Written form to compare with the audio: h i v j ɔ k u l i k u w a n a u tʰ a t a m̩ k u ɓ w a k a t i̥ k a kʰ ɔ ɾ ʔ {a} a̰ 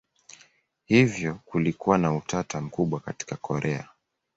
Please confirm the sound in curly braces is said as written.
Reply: no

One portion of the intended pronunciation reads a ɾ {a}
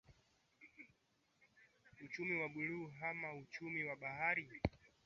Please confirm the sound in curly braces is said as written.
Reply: no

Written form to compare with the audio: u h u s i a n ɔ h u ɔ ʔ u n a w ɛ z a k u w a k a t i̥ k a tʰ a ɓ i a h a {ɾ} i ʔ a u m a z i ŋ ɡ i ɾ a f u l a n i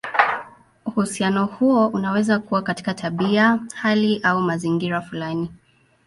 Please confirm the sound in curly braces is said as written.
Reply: no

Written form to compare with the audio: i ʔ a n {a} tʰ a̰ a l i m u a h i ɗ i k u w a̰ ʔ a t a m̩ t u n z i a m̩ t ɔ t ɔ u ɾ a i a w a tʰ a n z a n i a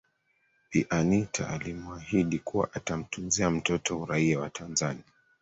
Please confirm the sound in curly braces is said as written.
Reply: no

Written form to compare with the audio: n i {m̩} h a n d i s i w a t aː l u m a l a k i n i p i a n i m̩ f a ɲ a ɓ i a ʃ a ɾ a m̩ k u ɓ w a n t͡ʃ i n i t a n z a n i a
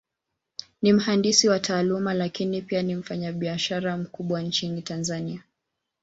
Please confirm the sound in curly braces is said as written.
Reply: yes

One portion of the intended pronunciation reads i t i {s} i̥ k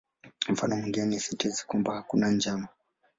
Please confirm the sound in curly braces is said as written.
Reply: no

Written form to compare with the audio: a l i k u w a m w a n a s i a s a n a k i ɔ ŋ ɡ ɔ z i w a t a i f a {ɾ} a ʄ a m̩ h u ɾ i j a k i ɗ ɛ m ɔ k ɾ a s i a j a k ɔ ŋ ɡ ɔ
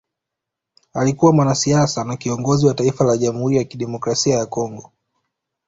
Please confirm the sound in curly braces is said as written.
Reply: no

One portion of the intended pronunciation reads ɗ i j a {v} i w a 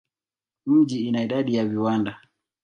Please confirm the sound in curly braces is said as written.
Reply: yes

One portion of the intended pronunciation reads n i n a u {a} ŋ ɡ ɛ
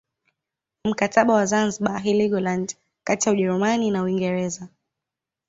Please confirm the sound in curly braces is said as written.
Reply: no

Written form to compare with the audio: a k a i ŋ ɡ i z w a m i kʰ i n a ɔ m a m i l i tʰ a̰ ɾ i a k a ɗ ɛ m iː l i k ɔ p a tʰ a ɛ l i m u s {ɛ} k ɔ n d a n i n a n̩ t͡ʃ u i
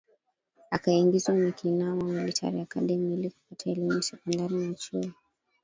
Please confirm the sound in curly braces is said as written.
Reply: yes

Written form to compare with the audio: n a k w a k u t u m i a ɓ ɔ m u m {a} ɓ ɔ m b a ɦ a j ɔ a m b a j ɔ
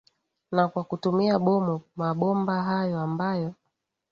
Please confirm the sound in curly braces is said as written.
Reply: yes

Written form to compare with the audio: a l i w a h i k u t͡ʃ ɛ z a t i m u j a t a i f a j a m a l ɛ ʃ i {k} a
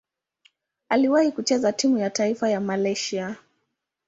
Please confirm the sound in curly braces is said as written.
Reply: no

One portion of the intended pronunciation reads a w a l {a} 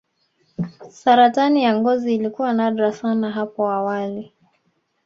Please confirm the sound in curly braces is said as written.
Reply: no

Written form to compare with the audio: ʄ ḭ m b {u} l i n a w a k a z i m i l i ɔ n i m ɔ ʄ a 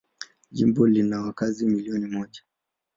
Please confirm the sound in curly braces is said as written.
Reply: no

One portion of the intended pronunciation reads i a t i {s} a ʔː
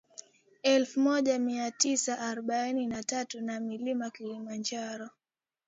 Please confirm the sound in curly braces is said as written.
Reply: yes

